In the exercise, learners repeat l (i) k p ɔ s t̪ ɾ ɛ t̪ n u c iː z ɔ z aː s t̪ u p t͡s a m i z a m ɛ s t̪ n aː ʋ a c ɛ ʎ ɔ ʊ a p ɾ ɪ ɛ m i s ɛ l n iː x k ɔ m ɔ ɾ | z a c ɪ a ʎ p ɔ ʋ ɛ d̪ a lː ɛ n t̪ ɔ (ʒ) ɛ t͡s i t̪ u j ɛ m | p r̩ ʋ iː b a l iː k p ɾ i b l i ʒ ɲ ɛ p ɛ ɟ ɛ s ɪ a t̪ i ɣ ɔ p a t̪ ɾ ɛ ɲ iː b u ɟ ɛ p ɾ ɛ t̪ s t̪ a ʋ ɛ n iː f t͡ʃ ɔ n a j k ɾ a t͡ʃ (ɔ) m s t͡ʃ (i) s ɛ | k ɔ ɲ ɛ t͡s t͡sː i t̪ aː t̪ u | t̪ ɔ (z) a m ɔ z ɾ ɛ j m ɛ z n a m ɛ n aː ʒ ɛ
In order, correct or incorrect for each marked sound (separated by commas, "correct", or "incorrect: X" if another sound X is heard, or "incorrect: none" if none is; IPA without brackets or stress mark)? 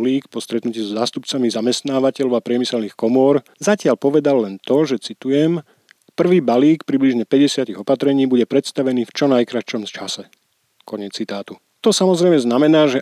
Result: incorrect: iː, correct, correct, incorrect: a, incorrect: s